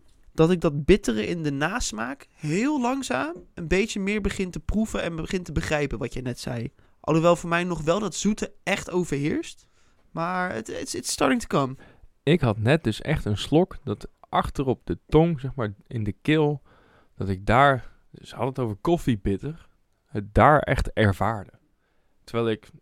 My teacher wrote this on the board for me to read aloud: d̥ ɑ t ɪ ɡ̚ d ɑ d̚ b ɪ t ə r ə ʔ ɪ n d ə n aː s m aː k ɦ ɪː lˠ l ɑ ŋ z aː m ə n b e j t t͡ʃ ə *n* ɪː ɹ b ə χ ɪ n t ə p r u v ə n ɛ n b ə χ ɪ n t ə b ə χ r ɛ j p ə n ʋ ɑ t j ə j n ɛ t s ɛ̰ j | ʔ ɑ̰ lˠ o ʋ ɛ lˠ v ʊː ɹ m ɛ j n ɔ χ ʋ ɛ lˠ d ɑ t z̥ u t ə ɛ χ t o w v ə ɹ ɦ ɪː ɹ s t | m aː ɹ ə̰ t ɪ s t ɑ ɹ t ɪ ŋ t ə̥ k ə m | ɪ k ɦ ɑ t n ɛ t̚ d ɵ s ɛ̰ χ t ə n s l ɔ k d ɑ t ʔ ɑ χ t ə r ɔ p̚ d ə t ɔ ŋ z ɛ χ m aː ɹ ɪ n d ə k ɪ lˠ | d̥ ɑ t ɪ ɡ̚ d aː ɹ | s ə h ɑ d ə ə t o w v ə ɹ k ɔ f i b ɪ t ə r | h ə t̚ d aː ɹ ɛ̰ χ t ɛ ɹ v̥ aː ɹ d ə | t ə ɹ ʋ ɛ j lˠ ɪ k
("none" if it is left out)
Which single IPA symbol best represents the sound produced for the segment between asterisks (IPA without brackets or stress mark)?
m